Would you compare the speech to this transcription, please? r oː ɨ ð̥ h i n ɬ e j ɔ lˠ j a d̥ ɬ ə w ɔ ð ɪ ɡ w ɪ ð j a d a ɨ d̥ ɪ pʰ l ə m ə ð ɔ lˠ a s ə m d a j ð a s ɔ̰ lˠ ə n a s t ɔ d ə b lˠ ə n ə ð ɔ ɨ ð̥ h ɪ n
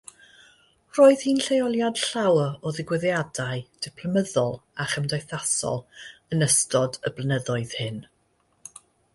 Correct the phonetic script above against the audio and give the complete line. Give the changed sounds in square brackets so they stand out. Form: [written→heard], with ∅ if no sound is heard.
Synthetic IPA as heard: r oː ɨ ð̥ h i n ɬ e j ɔ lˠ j a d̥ ɬ [ə→a] w ɔ ð ɪ ɡ w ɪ ð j a d a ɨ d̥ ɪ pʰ l ə m ə ð ɔ lˠ a [s→χ] ə m d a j [ð→θ] a s ɔ̰ lˠ ə n [a→ə] s t ɔ d ə b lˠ ə n ə ð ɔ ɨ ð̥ h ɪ n